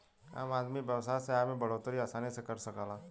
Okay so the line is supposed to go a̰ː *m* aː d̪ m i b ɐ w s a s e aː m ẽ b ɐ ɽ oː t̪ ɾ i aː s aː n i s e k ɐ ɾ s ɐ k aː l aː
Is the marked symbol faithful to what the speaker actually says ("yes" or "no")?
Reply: yes